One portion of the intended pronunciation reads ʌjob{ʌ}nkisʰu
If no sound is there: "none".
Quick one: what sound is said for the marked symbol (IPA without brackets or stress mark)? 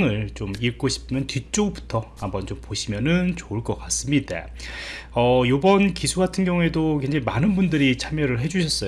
ʌ